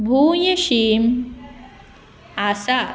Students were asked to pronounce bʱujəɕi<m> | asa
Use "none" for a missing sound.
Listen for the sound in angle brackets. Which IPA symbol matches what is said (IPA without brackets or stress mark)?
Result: m